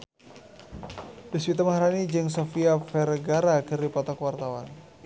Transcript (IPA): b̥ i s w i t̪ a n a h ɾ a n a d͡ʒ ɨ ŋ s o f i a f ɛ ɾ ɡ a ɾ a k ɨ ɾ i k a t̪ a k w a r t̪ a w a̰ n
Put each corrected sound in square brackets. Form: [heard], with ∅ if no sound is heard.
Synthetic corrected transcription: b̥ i s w i t̪ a [m] a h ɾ a n [i] d͡ʒ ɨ ŋ s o f i a f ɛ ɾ ɡ a ɾ a k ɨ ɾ i [p] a t̪ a k w a r t̪ a w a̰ n